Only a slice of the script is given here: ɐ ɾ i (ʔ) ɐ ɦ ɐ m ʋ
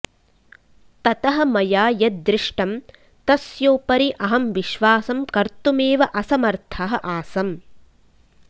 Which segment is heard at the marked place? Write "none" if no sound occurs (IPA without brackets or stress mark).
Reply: ʔ